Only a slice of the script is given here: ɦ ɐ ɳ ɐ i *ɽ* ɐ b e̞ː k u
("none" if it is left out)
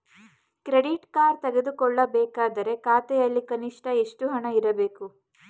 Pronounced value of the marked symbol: ɾ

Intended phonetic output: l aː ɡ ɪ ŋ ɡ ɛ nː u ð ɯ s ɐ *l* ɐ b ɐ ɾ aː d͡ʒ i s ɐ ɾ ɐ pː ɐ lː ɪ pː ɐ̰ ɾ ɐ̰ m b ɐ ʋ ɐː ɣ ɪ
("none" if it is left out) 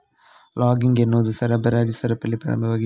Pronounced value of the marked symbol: ɾ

